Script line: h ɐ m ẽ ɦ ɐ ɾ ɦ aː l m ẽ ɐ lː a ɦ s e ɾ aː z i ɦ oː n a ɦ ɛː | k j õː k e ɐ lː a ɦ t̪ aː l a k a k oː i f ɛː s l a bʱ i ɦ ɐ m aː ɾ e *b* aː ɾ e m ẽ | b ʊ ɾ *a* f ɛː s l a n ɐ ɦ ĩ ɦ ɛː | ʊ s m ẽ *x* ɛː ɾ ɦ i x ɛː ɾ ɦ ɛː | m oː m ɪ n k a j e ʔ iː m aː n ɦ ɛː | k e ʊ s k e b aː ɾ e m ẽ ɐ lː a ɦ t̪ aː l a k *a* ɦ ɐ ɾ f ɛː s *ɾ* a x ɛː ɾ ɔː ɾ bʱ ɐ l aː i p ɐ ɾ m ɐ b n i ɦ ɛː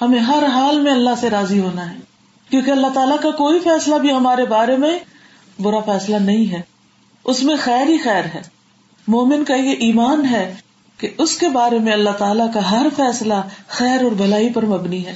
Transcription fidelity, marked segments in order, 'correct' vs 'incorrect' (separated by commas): correct, correct, correct, correct, incorrect